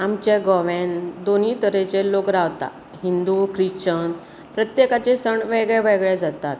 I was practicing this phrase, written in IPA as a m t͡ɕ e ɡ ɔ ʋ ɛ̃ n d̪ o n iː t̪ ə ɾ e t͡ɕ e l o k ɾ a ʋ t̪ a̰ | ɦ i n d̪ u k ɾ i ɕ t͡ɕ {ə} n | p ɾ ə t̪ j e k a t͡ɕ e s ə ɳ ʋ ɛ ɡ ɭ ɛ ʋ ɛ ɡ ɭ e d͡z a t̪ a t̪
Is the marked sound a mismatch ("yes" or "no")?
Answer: no